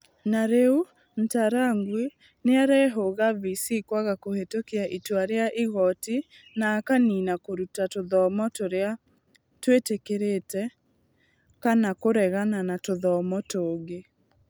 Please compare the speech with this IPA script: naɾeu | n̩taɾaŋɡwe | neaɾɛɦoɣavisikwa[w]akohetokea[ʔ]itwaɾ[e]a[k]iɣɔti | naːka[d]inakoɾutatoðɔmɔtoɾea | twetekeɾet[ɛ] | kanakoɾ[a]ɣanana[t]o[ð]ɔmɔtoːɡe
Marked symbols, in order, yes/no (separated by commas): no, yes, yes, no, no, yes, no, yes, yes